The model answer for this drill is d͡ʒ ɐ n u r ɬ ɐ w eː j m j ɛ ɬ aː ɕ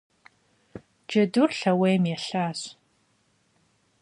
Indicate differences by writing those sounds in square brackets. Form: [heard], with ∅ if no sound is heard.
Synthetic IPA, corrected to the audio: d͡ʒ ɐ [d] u r ɬ ɐ w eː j m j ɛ ɬ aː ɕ